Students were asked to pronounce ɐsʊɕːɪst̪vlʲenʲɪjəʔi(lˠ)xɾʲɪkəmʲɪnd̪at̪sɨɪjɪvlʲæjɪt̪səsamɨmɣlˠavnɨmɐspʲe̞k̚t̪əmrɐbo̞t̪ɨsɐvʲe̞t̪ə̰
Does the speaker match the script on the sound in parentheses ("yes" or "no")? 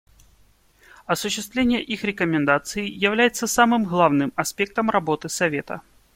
no